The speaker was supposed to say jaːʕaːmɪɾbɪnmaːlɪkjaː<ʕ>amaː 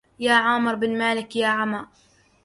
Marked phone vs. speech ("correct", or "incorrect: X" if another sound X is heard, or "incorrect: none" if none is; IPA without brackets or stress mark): correct